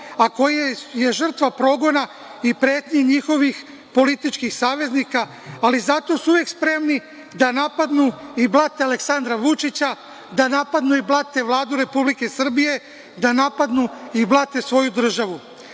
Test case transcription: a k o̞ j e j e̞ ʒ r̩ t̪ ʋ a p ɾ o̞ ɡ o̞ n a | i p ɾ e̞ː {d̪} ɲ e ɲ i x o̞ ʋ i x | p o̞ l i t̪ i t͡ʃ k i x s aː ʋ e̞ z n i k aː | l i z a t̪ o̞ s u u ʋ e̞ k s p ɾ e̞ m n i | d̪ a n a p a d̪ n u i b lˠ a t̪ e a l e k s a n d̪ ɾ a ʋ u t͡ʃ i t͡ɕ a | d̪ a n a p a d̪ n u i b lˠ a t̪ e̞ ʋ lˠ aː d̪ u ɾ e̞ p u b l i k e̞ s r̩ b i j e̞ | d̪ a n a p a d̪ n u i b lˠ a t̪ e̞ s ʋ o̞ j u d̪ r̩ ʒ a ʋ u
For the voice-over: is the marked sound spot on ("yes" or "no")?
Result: no